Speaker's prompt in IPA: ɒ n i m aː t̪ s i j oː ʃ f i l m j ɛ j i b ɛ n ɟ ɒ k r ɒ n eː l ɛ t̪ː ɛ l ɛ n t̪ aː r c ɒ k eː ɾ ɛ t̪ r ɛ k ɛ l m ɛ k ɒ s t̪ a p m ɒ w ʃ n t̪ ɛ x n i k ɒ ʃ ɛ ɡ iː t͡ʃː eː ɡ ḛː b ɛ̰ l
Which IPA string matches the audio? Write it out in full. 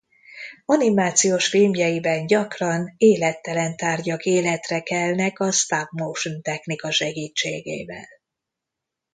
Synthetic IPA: ɒ n i m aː t̪ s i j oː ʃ f i l m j ɛ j i b ɛ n ɟ ɒ k r ɒ n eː l ɛ t̪ː ɛ l ɛ n t̪ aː r ɟ ɒ k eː l ɛ t̪ r ɛ k ɛ l n ɛ k ɒ s t̪ a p m o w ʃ n t̪ ɛ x n i k ɒ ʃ ɛ ɡ iː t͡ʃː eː ɡ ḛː v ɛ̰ l